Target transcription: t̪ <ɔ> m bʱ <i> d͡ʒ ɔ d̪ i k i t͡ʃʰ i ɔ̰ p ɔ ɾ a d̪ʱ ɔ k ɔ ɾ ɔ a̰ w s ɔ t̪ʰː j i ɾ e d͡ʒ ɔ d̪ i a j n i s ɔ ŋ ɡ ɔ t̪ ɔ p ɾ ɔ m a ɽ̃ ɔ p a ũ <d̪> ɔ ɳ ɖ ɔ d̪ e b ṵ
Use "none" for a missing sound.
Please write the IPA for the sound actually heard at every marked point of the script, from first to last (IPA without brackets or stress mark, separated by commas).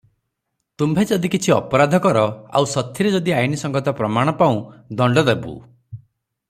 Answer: u, e, d̪